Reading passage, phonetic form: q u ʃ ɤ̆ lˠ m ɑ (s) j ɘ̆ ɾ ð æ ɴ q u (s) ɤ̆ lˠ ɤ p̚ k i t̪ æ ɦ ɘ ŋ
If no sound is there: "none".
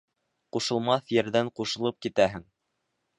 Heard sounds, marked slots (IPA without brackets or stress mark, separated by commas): θ, ʃ